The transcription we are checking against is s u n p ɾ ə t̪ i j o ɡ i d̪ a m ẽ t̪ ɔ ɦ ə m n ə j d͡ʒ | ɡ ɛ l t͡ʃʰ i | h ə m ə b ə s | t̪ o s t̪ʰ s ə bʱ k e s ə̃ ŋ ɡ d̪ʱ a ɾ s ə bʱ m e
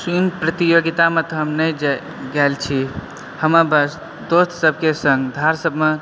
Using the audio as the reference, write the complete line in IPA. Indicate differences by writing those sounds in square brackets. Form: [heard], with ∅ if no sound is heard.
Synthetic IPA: s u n p ɾ ə t̪ i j o ɡ i [t̪] a m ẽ t̪ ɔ ɦ ə m n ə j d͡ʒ | ɡ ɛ l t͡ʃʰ i | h ə m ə b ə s | [d̪] o s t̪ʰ s ə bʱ k e s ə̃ ŋ ɡ d̪ʱ a ɾ s ə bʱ m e